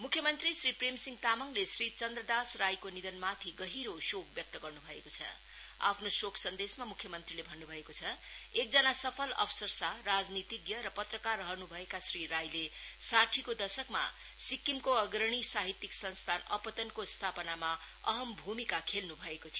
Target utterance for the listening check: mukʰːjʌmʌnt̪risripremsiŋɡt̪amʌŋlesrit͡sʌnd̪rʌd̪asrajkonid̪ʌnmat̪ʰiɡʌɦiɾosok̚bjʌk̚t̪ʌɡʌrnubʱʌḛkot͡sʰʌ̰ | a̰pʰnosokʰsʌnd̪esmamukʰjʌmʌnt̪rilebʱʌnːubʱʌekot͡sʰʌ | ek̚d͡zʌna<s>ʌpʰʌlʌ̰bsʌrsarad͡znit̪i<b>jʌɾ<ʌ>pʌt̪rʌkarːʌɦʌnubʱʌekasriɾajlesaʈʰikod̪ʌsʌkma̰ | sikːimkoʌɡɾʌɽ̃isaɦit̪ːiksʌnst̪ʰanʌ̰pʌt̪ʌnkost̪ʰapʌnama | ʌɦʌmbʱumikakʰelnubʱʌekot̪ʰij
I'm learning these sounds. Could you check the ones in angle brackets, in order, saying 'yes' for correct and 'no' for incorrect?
yes, no, yes

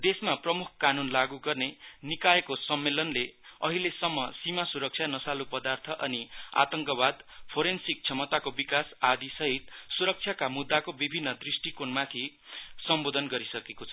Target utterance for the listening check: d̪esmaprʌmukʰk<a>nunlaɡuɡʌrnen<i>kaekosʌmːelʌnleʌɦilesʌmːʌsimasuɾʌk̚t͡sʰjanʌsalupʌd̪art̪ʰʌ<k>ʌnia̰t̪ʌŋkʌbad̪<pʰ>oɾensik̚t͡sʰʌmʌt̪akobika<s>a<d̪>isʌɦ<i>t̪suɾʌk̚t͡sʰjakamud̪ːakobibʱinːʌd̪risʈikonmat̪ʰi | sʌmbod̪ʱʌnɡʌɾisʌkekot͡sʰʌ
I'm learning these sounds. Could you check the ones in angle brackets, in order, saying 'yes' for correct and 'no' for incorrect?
yes, yes, no, yes, yes, yes, yes

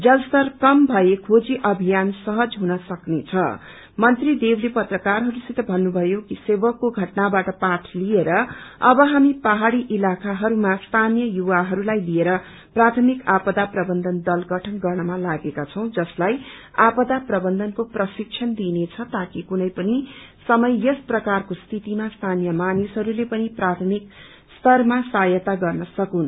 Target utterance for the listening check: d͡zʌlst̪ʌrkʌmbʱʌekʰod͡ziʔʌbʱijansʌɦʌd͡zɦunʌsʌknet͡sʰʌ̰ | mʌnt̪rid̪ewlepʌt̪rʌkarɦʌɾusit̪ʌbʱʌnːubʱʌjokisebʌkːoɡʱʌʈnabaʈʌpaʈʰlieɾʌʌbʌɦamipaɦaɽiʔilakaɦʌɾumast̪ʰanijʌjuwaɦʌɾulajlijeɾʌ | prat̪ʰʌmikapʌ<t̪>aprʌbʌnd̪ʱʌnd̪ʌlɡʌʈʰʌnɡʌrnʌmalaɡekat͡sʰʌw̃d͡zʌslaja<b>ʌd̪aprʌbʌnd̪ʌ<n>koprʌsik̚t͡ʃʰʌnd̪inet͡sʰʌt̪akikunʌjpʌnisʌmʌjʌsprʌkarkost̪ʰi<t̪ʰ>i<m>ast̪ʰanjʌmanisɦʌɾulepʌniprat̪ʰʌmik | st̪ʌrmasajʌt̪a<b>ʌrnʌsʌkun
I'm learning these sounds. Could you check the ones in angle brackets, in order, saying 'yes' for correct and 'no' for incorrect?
no, no, yes, no, yes, no

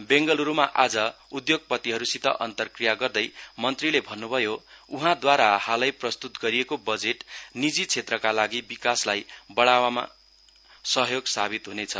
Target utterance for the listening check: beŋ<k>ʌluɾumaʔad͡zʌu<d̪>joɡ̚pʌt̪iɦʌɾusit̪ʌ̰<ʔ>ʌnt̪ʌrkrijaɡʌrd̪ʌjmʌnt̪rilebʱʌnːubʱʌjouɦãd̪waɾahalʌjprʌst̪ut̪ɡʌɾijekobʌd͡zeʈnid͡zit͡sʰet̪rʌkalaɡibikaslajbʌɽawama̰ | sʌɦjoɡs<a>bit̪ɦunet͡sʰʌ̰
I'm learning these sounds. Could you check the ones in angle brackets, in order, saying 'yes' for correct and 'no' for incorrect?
no, yes, yes, yes

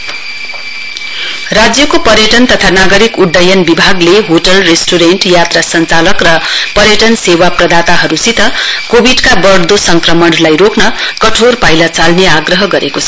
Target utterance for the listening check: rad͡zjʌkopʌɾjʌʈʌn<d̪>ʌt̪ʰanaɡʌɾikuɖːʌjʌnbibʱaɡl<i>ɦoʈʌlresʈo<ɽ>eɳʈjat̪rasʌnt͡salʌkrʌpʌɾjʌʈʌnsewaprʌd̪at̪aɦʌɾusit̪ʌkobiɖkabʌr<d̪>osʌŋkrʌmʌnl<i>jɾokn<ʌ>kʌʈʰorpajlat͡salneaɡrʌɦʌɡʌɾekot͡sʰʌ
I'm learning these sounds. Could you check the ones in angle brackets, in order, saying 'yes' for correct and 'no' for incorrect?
no, no, no, yes, no, yes

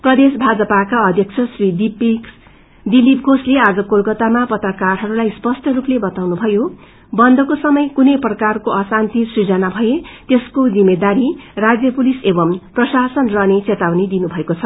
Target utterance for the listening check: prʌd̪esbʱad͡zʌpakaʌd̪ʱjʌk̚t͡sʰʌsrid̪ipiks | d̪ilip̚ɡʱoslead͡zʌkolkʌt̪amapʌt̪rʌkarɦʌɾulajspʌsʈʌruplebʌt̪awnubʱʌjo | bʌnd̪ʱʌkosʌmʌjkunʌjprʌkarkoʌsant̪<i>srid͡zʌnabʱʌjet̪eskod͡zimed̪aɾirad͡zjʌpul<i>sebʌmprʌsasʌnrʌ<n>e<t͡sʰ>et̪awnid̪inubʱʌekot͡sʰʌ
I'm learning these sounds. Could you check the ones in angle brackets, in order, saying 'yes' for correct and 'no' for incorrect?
yes, yes, yes, no

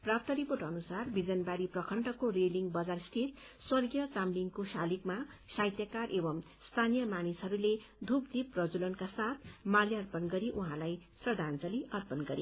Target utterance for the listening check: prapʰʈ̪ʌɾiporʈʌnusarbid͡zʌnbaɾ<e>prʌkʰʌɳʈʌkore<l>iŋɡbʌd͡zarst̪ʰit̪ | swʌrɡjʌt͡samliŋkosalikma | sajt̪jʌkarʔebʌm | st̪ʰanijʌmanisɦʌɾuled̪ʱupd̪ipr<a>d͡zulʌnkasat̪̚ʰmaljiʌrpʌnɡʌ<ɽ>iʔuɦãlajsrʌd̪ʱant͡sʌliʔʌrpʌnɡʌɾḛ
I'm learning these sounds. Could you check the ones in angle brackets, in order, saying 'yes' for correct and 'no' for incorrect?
no, yes, no, no

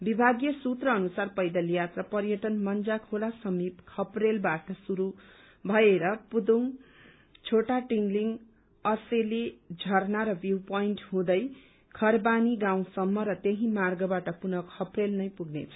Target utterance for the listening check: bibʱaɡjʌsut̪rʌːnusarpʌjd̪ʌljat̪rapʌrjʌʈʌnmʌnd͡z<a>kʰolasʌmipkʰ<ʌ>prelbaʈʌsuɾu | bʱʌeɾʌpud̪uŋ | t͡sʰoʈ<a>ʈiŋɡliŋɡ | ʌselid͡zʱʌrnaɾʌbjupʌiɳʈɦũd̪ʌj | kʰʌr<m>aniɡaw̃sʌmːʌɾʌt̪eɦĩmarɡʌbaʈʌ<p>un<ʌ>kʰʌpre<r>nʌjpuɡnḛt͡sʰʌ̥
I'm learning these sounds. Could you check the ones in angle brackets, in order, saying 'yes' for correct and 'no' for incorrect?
yes, yes, yes, no, yes, yes, no

